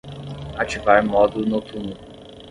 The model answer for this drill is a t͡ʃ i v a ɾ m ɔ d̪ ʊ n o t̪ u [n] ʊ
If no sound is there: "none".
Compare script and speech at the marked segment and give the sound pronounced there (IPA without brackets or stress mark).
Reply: n